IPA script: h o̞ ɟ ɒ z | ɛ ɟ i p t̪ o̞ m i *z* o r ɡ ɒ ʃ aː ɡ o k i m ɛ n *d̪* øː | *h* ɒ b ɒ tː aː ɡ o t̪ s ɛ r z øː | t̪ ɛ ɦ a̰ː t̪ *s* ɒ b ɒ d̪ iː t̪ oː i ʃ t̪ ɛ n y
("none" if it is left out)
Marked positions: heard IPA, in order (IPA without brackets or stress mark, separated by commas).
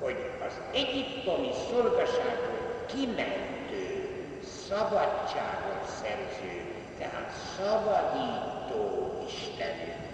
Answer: s, t̪, s, s